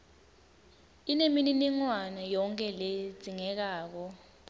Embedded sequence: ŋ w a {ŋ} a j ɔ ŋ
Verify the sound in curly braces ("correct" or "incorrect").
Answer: incorrect